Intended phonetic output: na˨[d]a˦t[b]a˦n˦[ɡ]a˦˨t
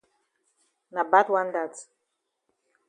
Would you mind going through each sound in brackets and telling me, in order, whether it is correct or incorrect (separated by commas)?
incorrect, incorrect, incorrect